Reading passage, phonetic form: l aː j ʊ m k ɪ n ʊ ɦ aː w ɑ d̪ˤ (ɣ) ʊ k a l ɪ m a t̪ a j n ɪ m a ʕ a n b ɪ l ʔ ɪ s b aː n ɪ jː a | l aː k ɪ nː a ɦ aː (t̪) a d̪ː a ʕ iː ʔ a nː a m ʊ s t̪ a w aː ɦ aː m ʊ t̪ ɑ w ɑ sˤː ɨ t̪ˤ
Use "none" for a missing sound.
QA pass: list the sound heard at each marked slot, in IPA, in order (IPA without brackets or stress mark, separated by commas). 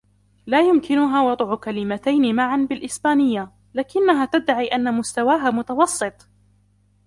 ʕ, t̪